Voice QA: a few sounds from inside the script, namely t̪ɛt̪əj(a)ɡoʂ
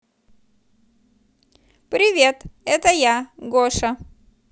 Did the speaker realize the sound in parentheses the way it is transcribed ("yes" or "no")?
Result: yes